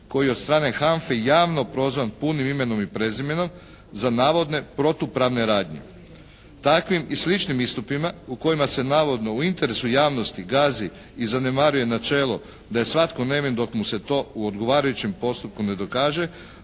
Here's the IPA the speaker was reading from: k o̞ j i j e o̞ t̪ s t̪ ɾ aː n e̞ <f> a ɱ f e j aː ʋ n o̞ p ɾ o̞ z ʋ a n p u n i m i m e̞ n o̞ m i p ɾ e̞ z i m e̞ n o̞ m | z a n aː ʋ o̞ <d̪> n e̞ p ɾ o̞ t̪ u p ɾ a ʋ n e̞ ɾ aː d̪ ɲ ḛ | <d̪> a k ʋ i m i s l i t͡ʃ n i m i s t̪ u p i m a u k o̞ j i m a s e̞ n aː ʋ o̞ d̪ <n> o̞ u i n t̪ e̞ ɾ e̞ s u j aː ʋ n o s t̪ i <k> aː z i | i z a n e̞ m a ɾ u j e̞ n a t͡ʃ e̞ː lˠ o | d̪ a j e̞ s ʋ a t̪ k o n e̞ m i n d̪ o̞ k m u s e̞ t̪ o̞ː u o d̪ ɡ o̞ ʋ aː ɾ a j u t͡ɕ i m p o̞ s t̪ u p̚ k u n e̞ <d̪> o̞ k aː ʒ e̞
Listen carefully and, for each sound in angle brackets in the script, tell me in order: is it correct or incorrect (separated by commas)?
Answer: incorrect, correct, incorrect, correct, incorrect, correct